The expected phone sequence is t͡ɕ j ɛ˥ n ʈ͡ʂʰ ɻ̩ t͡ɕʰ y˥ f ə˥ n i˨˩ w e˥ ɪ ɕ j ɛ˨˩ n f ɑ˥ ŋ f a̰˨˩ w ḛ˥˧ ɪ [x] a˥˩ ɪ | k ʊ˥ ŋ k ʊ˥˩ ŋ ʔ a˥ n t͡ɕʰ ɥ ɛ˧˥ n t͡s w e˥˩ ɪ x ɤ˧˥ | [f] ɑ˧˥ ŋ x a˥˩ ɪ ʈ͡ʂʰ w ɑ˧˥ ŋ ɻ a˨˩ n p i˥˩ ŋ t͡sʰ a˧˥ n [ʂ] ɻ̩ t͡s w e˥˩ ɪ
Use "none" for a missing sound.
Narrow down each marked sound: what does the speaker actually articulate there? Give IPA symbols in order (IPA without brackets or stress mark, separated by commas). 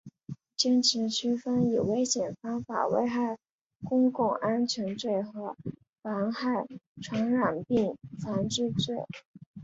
x, f, ʈ͡ʂ